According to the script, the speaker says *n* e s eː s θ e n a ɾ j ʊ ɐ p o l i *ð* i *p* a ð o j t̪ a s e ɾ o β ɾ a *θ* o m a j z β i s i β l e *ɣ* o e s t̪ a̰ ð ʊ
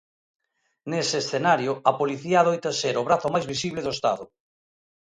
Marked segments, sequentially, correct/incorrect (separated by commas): correct, incorrect, incorrect, correct, incorrect